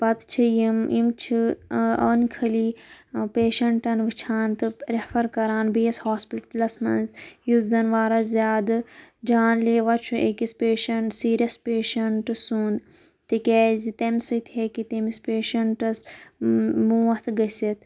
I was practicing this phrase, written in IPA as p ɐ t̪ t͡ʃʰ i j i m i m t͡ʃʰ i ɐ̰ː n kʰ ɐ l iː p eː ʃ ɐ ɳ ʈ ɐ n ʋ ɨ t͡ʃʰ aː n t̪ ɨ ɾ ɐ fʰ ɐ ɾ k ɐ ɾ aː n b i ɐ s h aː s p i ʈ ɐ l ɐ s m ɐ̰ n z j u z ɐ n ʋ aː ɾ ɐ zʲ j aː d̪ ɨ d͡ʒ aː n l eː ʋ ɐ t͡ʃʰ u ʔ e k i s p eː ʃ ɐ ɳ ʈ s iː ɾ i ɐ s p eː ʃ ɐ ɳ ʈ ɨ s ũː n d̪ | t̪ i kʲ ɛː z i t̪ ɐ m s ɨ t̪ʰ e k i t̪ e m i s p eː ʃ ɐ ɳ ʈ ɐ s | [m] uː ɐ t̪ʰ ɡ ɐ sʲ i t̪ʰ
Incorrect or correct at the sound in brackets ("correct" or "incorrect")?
correct